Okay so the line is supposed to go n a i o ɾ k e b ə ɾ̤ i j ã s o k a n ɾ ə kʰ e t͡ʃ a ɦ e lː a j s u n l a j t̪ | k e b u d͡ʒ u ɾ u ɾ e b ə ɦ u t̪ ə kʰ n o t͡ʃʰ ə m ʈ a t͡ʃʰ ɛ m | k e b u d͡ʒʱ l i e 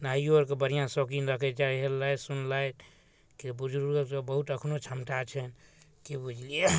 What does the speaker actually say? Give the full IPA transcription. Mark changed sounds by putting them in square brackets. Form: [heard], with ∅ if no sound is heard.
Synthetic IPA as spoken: n a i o ɾ k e b ə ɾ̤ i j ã s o k [i] n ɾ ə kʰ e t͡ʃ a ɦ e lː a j s u n l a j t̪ | k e b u d͡ʒ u ɾ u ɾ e b ə ɦ u t̪ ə kʰ n o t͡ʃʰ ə m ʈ a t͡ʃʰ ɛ [n] | k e b u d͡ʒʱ l i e